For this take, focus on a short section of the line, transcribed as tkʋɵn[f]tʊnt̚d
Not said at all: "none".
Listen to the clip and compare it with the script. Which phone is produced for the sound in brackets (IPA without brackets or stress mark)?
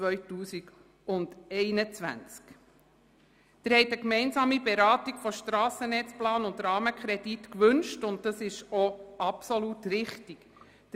ʃ